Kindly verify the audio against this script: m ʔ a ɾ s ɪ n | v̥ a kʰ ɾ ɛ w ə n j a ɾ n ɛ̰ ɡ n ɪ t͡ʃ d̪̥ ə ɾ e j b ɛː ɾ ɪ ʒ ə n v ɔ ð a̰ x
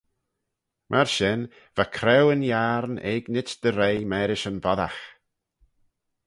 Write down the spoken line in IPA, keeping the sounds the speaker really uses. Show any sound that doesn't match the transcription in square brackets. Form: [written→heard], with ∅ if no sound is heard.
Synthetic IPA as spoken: m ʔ a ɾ [s→ʃ] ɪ n | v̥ a kʰ ɾ ɛ w ə n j a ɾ n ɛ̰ ɡ n ɪ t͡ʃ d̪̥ ə ɾ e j [b→m] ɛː ɾ ɪ [ʒ→ʃ] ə n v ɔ ð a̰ x